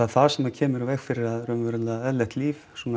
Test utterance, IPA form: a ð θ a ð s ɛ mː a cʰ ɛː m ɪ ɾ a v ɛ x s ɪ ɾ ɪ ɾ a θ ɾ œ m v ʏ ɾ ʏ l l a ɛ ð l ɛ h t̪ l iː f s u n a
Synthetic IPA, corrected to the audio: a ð θ a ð s ɛ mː a cʰ ɛː m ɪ ɾ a v ɛ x f ɪ ɾ ɪ ɾ a ð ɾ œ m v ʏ ɾ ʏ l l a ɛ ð l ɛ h t̪ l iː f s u n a